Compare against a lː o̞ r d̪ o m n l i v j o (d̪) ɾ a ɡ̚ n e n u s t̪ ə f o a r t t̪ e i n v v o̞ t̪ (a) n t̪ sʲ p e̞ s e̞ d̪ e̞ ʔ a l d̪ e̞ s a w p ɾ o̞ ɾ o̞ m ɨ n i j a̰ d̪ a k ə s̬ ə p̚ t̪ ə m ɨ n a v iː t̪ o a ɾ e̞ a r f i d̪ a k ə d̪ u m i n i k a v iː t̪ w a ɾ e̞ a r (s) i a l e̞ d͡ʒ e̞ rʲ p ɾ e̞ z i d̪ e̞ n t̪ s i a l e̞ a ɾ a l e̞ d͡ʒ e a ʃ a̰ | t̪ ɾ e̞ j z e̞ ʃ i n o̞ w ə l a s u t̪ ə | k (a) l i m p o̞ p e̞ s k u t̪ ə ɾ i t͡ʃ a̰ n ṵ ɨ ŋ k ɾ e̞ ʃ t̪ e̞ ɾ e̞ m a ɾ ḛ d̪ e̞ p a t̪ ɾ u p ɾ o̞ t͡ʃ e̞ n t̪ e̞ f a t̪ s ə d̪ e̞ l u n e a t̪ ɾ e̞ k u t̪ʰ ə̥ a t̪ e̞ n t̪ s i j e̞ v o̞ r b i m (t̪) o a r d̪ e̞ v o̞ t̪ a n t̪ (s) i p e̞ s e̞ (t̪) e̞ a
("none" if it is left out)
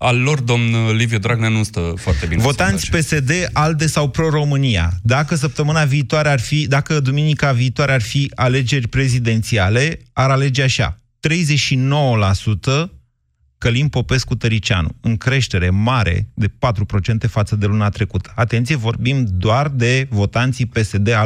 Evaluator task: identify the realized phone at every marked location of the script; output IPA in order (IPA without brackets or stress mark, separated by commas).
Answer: d̪, a, f, ə, d̪, s, d̪